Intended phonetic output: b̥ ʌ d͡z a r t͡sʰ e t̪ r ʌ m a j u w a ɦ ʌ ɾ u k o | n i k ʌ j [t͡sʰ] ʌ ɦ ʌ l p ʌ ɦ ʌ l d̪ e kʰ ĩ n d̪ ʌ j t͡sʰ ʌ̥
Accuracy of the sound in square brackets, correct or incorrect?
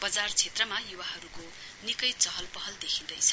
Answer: incorrect